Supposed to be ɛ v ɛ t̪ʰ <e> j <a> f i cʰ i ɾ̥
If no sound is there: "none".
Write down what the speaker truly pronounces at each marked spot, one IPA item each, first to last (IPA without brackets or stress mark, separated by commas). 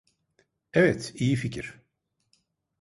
i, i